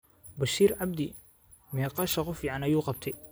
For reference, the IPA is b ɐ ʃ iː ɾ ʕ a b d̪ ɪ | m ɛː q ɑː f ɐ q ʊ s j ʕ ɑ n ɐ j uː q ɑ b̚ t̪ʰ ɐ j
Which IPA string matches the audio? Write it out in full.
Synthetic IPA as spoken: b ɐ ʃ iː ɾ ʕ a b d̪ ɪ | m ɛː q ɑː ʃ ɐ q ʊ f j ʕ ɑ n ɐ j uː q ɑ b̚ t̪ʰ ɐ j